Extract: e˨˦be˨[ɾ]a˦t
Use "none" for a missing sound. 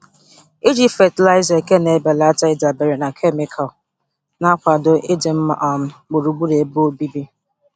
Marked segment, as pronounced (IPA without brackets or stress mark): l